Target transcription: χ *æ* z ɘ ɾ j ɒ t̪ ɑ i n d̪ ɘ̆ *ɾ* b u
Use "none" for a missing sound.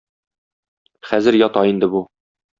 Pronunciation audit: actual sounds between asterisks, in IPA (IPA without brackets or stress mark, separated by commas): æ, none